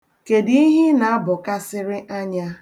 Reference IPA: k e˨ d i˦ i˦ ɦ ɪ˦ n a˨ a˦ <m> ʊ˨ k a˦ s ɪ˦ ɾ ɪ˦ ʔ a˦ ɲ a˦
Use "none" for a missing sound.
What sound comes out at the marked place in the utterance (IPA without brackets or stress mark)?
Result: b